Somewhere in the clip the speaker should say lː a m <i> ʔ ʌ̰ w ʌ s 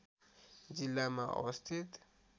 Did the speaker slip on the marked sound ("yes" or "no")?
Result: yes